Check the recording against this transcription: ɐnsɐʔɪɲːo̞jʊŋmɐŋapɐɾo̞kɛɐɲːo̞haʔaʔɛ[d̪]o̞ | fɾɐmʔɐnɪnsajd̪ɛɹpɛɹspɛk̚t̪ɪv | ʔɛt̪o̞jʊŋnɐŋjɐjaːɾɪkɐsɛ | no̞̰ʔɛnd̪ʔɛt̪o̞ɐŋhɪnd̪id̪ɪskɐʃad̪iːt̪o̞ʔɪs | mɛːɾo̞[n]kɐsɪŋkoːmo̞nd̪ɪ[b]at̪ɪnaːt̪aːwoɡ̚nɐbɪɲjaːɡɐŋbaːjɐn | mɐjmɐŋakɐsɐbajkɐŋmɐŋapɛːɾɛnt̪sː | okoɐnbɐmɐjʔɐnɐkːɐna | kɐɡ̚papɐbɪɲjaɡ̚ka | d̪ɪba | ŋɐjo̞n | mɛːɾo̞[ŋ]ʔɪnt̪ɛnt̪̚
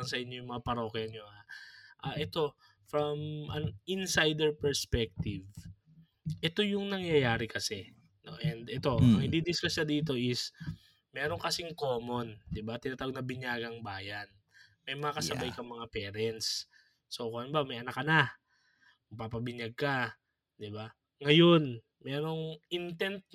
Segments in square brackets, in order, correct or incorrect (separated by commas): incorrect, incorrect, correct, correct